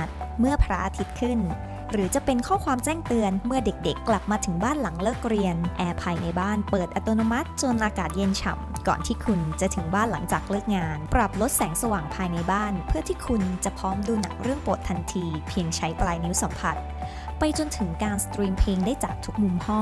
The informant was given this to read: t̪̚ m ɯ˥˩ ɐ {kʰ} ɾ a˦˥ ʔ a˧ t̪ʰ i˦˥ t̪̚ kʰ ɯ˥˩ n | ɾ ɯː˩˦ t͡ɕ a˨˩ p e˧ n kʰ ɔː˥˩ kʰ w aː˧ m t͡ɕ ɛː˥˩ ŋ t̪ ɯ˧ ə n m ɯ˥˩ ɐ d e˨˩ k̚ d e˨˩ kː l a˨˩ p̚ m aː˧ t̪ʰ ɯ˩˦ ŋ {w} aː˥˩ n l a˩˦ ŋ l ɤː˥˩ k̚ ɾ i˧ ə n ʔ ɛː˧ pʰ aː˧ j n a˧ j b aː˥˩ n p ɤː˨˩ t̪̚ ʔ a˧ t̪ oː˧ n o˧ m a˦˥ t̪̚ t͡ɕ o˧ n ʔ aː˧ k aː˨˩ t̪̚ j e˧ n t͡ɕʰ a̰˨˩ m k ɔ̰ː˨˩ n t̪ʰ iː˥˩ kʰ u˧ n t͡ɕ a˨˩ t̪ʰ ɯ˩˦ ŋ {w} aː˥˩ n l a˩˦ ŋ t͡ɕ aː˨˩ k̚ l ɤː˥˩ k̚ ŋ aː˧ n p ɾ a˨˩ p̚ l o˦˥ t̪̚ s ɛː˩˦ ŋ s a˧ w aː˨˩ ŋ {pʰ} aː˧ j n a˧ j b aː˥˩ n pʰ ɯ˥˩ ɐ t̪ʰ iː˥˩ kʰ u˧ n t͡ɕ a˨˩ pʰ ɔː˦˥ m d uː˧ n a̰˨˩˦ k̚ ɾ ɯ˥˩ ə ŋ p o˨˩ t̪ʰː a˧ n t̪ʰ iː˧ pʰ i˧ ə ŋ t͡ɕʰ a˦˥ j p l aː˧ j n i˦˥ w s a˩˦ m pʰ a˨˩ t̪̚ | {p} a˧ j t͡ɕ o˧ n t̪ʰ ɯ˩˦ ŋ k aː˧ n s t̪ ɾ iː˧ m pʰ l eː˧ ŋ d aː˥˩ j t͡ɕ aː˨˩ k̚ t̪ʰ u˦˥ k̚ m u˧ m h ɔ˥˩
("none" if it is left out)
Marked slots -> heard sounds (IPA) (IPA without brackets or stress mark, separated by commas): pʰ, b, b, pʰ, p